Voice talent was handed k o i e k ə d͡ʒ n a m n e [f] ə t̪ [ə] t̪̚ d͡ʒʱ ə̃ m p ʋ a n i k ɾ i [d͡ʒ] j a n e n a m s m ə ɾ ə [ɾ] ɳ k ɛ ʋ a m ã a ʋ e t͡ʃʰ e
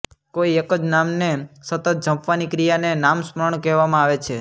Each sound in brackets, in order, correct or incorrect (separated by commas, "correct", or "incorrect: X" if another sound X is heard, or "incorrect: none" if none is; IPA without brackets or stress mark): incorrect: s, correct, incorrect: none, incorrect: none